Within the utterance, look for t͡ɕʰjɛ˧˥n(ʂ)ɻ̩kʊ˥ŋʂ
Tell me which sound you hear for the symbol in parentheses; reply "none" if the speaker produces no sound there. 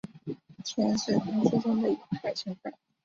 ʂ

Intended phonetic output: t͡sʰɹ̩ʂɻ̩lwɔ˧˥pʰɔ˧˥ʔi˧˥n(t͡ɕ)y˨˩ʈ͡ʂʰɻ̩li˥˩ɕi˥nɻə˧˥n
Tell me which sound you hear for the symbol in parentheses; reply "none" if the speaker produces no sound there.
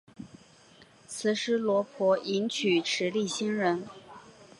t͡ɕʰ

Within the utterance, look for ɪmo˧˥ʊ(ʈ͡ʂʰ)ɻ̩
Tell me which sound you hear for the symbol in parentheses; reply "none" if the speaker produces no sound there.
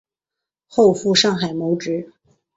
ʈ͡ʂ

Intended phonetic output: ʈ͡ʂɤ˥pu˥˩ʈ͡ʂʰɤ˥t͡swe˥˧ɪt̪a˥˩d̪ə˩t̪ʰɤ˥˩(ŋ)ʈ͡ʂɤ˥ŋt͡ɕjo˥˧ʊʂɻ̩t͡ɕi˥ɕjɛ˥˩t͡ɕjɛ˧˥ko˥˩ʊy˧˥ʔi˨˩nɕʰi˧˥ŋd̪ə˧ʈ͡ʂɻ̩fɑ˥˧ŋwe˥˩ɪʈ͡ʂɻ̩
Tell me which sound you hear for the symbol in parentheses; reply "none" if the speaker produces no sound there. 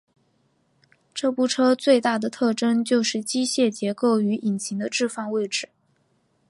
none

